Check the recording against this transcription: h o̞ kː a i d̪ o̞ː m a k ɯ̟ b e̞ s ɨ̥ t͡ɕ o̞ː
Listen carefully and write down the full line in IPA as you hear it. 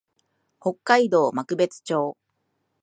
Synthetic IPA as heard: h o̞ kː a i d̪ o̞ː m a k ɯ̟ b e̞ t͡s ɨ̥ t͡ɕ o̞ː